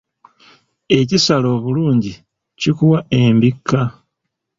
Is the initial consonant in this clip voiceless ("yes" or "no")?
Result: yes